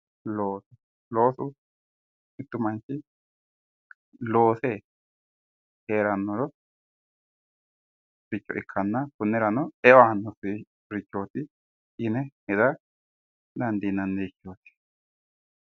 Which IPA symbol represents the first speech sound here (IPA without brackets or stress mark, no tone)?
l